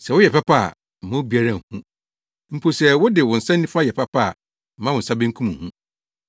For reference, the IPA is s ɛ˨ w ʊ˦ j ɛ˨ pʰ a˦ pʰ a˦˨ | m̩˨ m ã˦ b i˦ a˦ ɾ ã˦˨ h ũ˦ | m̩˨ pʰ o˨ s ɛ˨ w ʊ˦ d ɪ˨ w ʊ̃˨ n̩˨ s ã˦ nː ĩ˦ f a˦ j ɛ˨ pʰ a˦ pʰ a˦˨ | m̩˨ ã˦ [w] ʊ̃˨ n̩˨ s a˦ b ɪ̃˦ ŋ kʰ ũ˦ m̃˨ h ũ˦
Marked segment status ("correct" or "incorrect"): correct